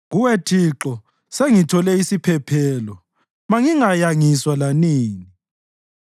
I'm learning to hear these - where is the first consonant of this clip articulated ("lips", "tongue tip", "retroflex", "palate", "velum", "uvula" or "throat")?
velum